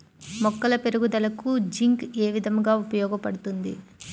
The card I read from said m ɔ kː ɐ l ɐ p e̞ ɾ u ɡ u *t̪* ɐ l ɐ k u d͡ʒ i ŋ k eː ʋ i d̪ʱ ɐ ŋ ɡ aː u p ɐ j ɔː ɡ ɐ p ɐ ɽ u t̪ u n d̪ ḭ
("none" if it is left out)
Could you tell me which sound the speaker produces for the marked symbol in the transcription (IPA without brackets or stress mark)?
d̪